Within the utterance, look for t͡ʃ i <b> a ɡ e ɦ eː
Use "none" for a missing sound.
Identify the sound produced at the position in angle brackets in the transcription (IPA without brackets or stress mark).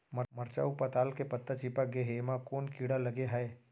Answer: p